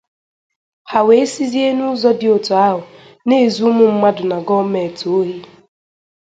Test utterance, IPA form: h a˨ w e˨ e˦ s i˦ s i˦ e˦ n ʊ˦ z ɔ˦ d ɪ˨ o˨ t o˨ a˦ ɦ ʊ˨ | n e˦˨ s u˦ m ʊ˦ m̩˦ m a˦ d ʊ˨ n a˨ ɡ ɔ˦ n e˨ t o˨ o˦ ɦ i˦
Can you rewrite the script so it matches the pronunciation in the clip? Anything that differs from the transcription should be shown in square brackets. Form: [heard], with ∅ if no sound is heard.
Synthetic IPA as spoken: h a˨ w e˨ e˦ s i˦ [z] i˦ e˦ n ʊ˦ z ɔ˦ d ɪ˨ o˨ t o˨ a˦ ɦ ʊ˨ | n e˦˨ [z] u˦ m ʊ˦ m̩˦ m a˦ d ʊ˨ n a˨ ɡ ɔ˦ [m] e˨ t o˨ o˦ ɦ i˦